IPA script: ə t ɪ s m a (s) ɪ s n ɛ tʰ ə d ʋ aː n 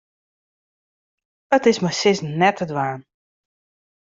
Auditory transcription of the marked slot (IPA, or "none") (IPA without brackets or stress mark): s